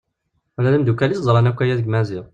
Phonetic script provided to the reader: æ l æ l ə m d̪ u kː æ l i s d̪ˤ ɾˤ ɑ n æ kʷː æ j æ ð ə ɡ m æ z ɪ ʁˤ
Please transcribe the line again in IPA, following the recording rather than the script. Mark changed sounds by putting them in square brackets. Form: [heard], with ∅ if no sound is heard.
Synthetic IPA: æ l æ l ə m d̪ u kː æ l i s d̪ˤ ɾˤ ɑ n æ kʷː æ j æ ð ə ɡ m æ z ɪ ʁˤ